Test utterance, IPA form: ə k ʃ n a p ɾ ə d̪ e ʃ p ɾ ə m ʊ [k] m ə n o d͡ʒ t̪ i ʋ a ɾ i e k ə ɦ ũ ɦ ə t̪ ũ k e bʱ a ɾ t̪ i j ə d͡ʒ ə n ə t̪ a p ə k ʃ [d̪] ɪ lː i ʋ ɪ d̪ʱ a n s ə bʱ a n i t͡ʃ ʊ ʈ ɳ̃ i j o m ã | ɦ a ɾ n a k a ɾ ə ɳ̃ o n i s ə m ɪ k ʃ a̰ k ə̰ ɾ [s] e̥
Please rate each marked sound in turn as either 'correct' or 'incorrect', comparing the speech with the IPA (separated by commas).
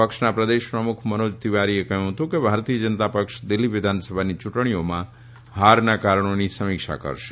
incorrect, correct, incorrect